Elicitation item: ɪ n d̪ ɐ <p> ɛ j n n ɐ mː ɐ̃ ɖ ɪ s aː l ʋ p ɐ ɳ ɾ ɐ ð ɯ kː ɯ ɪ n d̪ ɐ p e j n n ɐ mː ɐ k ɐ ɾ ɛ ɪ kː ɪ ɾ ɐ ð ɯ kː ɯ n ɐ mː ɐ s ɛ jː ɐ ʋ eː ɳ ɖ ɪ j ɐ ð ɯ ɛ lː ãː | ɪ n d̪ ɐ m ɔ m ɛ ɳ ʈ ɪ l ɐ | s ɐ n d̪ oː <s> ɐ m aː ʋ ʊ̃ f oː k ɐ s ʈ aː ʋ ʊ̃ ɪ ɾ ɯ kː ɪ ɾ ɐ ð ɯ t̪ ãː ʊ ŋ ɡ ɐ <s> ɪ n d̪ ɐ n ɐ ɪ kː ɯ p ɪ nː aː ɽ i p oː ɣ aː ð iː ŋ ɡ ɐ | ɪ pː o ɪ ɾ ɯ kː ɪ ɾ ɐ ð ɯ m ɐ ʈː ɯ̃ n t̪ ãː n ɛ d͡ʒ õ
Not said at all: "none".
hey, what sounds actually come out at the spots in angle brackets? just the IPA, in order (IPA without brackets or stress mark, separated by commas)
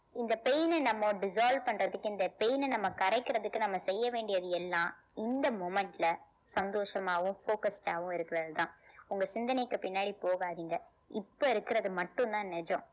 p, ʂ, s